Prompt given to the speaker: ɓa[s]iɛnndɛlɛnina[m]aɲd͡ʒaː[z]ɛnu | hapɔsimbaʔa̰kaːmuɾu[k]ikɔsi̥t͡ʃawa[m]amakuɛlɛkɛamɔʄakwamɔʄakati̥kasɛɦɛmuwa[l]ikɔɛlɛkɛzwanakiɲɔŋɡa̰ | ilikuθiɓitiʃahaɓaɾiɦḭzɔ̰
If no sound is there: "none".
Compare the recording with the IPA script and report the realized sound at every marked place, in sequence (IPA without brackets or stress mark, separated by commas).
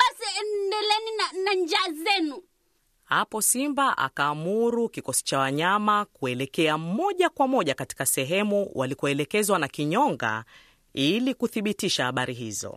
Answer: s, n, z, k, ɲ, l